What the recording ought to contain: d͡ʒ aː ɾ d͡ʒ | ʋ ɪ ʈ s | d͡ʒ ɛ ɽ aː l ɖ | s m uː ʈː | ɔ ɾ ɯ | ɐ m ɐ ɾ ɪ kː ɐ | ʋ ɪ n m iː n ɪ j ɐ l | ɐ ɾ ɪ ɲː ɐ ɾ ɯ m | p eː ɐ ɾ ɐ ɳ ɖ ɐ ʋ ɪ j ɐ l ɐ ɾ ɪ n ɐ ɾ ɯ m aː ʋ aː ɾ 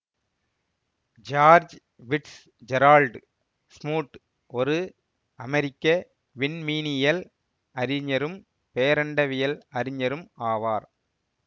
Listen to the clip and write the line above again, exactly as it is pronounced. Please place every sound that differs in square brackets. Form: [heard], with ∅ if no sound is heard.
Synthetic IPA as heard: d͡ʒ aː ɾ d͡ʒ | ʋ ɪ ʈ s | d͡ʒ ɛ [ɾ] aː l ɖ | s m uː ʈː | ɔ ɾ ɯ | ɐ m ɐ ɾ ɪ kː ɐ | ʋ ɪ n m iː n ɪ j ɐ l | ɐ ɾ ɪ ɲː ɐ ɾ ɯ m | p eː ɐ ɾ ɐ ɳ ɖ ɐ ʋ ɪ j ɐ l ɐ ɾ ɪ [ɲ] ɐ ɾ ɯ m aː ʋ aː ɾ

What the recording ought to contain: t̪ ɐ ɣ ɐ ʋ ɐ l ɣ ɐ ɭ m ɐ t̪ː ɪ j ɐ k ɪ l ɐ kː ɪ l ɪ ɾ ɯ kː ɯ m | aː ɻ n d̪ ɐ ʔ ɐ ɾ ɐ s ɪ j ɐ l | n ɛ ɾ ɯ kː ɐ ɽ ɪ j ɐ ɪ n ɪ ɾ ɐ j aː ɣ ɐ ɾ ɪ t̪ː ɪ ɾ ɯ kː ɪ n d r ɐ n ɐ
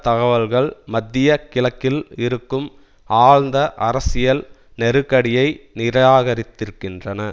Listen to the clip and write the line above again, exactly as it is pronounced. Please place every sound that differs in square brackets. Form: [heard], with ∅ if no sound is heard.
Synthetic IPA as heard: t̪ ɐ ɣ ɐ ʋ ɐ l ɣ ɐ ɭ m ɐ [d̪ː] ɪ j ɐ k ɪ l ɐ kː ɪ l ɪ ɾ ɯ kː ɯ m | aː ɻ n d̪ ɐ ʔ ɐ ɾ ɐ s ɪ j ɐ l | n ɛ ɾ ɯ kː ɐ ɽ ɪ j ɐ ɪ n ɪ ɾ ɐ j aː ɣ ɐ ɾ ɪ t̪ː ɪ ɾ ɯ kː ɪ n d r ɐ n ɐ

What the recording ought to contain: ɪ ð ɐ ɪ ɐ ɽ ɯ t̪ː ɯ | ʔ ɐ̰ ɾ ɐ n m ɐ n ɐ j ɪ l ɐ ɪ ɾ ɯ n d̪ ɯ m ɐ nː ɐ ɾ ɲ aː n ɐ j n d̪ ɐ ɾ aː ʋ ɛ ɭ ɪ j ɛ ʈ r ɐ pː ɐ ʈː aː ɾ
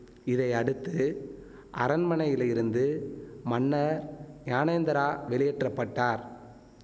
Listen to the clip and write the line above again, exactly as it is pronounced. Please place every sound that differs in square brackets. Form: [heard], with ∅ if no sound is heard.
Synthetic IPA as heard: ɪ ð ɐ ɪ ɐ ɽ ɯ t̪ː ɯ | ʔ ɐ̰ ɾ ɐ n m ɐ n ɐ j ɪ l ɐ ɪ ɾ ɯ n d̪ ɯ m ɐ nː ɐ ɾ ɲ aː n ɐ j n d̪ ɐ ɾ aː ʋ ɛ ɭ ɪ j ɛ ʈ r ɐ pː ɐ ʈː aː ɾ

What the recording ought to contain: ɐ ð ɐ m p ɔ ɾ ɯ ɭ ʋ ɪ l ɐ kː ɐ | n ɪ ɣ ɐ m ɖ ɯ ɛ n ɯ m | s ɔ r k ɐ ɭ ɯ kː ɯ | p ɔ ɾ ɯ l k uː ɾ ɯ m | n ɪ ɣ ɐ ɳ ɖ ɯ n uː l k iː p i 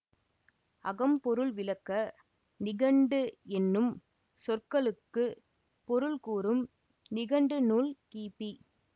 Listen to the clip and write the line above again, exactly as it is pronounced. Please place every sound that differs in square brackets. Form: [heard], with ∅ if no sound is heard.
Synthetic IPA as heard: ɐ [ɣ] ɐ m p ɔ ɾ ɯ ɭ ʋ ɪ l ɐ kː ɐ | n ɪ ɣ ɐ [ɳ] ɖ ɯ ɛ [nː] ɯ m | s ɔ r k ɐ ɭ ɯ kː ɯ | p ɔ ɾ ɯ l k uː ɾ ɯ m | n ɪ ɣ ɐ ɳ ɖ ɯ n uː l k iː p i

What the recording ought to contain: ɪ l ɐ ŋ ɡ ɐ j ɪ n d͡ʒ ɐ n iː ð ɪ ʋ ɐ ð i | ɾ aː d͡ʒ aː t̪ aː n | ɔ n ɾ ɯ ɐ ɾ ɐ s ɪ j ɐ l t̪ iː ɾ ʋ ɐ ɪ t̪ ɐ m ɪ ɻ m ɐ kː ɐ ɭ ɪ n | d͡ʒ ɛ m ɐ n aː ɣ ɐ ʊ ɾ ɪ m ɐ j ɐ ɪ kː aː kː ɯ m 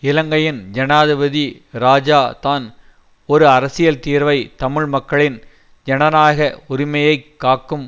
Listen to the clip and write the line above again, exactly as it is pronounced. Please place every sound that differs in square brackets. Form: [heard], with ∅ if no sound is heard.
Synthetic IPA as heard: ɪ l ɐ ŋ ɡ ɐ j ɪ n d͡ʒ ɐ n [aː] ð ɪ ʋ ɐ ð i | ɾ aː d͡ʒ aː t̪ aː n | ɔ [∅] ɾ ɯ ɐ ɾ ɐ s ɪ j ɐ l t̪ iː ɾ ʋ ɐ ɪ t̪ ɐ m ɪ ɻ m ɐ kː ɐ ɭ ɪ n | d͡ʒ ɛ [n] ɐ n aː ɣ ɐ ʊ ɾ ɪ m ɐ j ɐ ɪ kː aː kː ɯ m

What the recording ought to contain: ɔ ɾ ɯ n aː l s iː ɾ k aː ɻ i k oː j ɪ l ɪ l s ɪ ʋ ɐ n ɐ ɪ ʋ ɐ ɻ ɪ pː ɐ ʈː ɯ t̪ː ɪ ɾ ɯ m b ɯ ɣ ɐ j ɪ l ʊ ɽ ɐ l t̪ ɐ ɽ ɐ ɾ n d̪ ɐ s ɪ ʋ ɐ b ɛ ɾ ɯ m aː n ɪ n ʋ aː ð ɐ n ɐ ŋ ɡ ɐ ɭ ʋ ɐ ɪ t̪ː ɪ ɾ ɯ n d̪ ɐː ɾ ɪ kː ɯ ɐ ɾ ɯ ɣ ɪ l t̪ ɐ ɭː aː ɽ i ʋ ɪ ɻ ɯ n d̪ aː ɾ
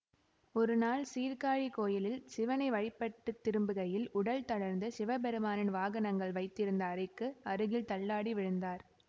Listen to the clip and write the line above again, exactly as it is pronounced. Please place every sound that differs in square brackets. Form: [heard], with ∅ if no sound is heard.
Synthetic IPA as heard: ɔ ɾ ɯ n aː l s iː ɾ k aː ɻ i k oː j ɪ l ɪ l s ɪ ʋ ɐ n ɐ ɪ ʋ ɐ ɻ ɪ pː ɐ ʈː ɯ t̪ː ɪ ɾ ɯ m b ɯ ɣ ɐ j ɪ l ʊ ɽ ɐ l t̪ ɐ ɽ ɐ ɾ n d̪ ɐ s ɪ ʋ ɐ b ɛ ɾ ɯ m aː n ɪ n ʋ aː [ɣ] ɐ n ɐ ŋ ɡ ɐ ɭ ʋ ɐ ɪ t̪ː ɪ ɾ ɯ n d̪ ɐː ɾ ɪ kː ɯ ɐ ɾ ɯ ɣ ɪ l t̪ ɐ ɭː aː ɽ i ʋ ɪ ɻ ɯ n d̪ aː ɾ

